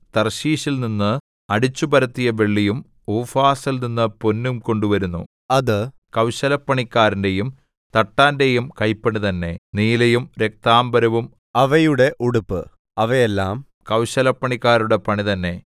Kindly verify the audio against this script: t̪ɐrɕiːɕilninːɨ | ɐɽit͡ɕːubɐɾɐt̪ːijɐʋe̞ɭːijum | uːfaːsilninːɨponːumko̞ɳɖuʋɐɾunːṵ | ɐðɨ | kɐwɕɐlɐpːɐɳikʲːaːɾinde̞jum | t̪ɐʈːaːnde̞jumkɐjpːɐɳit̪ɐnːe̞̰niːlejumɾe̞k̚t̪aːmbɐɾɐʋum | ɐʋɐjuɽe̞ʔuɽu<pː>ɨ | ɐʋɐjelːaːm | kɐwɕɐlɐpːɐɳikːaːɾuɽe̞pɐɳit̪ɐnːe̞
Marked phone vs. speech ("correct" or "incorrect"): correct